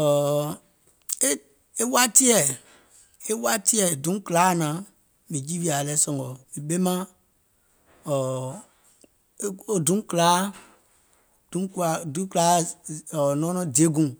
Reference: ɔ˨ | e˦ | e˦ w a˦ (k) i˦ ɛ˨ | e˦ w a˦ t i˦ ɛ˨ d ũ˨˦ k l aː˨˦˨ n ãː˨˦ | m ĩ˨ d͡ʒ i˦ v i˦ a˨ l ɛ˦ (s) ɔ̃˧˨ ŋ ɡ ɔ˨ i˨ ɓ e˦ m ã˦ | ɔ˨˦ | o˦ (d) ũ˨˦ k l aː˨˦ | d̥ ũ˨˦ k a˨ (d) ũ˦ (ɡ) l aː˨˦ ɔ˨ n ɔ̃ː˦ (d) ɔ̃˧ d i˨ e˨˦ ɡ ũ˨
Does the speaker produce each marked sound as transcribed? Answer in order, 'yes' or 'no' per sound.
no, yes, yes, yes, no, no

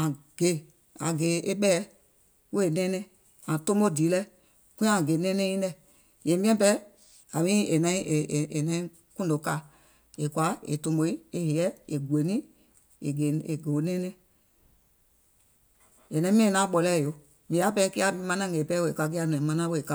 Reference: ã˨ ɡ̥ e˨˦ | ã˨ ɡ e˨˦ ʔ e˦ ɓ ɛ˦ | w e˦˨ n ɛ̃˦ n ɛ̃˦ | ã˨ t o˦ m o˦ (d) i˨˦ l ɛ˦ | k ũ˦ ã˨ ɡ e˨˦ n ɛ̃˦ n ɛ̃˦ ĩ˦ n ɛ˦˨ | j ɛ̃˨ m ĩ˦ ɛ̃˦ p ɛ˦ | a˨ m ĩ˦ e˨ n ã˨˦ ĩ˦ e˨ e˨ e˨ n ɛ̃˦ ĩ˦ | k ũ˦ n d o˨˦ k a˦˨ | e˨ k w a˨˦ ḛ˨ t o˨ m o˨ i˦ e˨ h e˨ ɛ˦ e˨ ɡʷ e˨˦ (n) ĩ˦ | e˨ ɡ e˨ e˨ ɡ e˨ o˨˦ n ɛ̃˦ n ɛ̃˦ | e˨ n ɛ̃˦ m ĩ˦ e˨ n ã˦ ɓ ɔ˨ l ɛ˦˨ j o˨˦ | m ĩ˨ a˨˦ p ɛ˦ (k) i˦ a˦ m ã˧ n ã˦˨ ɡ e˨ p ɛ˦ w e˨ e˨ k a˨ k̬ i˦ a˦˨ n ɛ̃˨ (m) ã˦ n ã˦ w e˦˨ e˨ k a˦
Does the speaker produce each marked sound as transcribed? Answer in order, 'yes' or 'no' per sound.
yes, yes, yes, yes

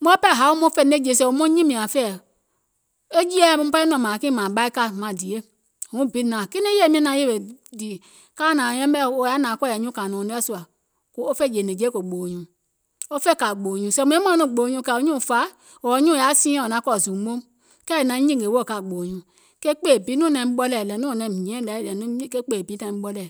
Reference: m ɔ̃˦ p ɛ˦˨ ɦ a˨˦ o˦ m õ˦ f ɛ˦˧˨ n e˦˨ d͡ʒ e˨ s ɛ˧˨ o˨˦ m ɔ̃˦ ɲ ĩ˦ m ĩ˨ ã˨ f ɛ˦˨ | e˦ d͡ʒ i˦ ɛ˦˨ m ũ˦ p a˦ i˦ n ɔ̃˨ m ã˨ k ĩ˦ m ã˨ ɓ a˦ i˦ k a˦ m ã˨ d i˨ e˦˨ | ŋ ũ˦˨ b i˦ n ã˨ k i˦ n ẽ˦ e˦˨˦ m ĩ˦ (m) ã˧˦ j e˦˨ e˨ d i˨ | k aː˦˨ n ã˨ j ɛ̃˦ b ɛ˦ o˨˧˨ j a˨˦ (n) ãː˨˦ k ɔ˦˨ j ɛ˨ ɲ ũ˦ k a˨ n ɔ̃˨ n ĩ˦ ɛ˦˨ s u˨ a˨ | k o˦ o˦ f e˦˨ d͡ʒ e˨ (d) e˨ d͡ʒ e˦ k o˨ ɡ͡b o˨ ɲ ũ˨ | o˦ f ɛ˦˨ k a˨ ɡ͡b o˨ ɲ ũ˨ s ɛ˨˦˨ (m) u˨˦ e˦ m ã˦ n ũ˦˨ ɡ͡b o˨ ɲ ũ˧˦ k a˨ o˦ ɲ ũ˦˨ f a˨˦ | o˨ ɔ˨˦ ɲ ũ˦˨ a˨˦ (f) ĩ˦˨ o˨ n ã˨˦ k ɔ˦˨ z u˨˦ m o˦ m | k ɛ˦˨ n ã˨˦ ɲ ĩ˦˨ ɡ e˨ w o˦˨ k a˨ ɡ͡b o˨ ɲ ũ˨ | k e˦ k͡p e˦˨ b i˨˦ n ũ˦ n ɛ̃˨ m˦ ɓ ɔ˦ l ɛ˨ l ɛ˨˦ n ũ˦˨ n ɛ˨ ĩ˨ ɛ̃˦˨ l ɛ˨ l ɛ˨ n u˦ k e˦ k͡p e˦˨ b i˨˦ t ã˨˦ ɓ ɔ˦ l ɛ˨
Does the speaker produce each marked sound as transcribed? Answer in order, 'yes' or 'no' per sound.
no, yes, no, yes, no

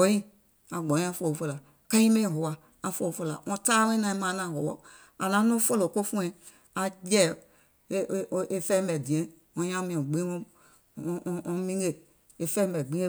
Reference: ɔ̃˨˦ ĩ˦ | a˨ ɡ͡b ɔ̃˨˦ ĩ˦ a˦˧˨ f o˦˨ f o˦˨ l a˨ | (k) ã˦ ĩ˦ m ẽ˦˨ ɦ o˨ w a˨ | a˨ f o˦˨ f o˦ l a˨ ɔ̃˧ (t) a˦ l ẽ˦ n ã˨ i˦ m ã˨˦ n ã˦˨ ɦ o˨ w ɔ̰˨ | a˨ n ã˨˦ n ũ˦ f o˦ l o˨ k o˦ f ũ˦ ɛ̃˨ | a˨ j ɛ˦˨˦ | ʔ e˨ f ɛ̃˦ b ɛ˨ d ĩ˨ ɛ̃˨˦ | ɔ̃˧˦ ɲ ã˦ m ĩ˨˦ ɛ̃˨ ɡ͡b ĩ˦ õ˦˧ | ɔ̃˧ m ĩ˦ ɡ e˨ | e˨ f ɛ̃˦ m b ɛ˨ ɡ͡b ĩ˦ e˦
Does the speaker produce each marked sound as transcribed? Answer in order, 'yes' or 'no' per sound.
yes, yes

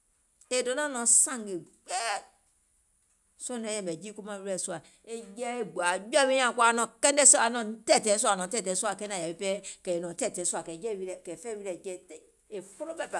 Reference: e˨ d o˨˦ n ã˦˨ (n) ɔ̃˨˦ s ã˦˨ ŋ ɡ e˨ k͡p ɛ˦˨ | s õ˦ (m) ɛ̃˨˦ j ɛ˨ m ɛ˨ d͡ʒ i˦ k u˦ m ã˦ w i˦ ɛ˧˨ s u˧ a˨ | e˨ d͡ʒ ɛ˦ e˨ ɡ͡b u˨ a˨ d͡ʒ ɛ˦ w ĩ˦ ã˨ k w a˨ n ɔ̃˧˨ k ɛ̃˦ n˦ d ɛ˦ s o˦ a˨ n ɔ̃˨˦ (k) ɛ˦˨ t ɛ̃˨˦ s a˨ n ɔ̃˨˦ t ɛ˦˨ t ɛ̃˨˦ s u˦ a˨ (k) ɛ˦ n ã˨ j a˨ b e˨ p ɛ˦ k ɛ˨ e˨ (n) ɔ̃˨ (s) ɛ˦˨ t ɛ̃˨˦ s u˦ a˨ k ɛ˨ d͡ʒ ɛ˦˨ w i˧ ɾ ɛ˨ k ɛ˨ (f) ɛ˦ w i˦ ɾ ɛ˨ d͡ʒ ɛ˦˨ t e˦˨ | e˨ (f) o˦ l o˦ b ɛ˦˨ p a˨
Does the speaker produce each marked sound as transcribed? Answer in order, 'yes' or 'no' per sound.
yes, no, no, yes, yes, no, yes, yes

